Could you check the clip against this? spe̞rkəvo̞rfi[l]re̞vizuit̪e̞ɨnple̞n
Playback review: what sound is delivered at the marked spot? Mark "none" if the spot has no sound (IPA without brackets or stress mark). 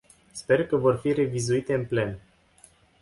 none